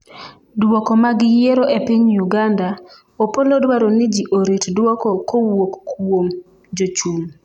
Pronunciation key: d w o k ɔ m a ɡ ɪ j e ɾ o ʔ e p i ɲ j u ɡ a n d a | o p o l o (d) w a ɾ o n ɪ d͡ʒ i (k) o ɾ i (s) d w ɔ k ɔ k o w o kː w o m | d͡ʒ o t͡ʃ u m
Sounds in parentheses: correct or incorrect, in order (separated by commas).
correct, incorrect, incorrect